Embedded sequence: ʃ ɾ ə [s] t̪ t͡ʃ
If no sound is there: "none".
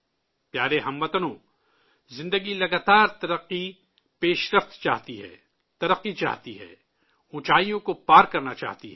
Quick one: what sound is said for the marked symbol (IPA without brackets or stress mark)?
f